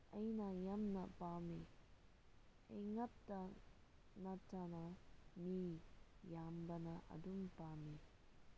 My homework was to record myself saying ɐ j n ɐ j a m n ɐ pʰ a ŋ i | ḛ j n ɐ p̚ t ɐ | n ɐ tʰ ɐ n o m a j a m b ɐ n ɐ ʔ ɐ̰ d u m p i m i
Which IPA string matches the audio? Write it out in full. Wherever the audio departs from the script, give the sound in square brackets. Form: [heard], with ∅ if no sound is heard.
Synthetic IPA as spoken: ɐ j n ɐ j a m n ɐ [p] a [m] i | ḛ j [ŋ] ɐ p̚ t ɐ | n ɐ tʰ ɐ n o m [i] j a m b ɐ n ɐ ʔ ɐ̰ d u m p [a] m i